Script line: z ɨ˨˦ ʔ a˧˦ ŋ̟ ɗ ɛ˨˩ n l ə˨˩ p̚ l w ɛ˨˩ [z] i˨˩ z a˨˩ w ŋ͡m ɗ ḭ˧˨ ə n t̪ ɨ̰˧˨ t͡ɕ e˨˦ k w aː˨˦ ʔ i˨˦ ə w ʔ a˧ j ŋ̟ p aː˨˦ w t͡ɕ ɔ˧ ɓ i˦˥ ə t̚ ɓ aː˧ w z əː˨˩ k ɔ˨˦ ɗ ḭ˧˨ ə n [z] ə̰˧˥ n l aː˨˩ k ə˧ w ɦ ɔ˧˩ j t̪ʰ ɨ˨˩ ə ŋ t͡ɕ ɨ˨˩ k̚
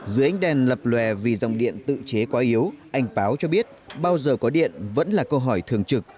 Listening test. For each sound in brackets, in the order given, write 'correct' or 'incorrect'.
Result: incorrect: v, incorrect: v

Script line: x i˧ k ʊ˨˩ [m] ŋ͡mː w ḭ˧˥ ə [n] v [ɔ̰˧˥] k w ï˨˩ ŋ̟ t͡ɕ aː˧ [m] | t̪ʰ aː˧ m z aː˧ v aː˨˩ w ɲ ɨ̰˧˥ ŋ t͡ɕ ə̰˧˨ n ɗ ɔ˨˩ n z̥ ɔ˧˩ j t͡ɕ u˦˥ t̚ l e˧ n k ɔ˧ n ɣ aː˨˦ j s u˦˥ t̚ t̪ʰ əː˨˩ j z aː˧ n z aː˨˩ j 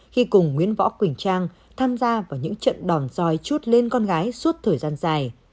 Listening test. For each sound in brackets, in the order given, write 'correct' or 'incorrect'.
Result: incorrect: none, correct, correct, incorrect: ŋ

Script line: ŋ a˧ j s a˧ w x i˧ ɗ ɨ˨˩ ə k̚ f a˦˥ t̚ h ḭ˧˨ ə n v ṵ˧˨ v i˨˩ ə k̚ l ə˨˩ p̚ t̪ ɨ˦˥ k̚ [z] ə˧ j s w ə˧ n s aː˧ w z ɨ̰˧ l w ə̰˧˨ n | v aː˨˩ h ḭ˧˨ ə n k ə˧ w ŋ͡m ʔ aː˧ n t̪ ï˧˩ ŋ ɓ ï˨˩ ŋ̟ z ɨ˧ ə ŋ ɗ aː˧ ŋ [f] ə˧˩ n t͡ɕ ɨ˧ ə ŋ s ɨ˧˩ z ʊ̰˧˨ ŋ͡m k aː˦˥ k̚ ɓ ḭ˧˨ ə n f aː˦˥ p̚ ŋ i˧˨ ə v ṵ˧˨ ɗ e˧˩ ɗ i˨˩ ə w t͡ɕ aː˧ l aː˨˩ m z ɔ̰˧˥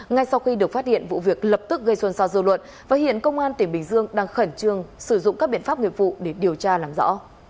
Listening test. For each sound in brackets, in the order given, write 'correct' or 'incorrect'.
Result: incorrect: ɣ, incorrect: x

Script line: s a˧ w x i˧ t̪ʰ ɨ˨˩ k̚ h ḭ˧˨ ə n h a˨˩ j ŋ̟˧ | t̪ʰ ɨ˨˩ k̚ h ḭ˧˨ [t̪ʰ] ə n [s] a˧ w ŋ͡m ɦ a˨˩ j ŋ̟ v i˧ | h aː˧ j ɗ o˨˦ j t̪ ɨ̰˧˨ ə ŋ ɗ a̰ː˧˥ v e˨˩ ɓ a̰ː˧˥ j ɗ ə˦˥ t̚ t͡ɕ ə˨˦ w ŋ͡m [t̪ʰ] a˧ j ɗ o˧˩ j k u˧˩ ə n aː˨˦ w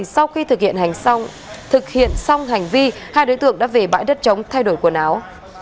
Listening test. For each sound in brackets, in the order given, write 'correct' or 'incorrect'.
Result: incorrect: none, correct, correct

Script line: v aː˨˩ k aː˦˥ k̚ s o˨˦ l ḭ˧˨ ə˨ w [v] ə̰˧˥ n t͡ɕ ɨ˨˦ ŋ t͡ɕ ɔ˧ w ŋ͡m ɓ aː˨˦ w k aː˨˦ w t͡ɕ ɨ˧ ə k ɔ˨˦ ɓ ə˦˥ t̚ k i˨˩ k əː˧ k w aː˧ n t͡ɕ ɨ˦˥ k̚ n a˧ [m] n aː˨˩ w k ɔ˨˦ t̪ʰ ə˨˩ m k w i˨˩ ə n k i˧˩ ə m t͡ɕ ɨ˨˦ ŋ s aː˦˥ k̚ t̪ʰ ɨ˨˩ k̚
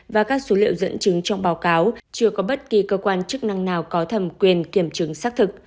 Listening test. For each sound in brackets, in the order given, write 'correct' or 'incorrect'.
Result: incorrect: z, incorrect: ŋ

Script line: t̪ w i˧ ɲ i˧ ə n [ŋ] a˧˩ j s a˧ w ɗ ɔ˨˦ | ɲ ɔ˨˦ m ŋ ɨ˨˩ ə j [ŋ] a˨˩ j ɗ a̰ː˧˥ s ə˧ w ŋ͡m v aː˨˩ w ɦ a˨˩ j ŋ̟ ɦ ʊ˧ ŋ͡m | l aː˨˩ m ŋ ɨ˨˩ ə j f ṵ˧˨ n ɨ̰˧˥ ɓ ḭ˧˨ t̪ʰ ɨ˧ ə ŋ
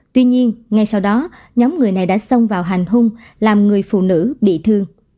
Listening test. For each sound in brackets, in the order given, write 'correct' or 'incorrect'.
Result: correct, incorrect: n

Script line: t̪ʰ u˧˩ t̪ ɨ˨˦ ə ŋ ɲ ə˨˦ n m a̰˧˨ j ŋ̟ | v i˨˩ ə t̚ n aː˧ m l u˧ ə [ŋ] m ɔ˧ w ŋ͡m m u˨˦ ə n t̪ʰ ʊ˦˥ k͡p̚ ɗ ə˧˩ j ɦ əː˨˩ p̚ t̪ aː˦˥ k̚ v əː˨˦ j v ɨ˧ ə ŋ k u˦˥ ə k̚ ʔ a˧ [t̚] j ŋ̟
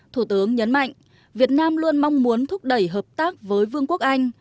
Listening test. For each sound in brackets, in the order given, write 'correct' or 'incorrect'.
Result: incorrect: n, incorrect: none

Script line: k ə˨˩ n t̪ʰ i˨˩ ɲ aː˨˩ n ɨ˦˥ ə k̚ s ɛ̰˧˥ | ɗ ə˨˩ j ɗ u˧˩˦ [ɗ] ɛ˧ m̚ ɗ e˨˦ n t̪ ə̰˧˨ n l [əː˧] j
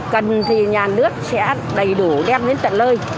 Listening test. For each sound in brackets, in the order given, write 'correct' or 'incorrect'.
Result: correct, correct

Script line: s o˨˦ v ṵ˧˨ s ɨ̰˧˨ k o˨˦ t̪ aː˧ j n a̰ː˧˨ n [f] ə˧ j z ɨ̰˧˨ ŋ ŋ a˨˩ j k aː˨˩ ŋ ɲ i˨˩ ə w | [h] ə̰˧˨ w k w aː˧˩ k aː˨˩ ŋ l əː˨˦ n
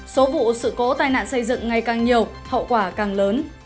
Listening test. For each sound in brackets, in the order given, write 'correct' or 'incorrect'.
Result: incorrect: s, correct

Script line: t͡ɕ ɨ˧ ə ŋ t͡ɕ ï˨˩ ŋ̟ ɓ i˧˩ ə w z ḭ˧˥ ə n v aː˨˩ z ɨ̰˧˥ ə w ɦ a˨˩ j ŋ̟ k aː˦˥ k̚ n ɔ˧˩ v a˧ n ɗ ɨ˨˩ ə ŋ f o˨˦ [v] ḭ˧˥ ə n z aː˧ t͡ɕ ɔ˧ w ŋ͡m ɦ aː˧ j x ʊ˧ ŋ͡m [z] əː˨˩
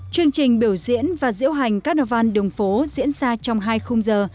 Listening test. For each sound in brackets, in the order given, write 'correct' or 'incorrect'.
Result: incorrect: z, correct

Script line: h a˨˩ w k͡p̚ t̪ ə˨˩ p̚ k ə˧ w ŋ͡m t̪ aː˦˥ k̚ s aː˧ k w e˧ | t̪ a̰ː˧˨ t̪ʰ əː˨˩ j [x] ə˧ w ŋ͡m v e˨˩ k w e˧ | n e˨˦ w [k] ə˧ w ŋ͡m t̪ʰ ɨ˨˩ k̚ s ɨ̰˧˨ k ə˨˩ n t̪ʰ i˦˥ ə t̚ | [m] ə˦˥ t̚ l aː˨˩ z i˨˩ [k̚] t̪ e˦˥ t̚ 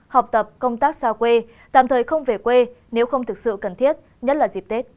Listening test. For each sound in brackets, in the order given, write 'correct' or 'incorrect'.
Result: correct, incorrect: x, incorrect: ɲ, incorrect: p̚

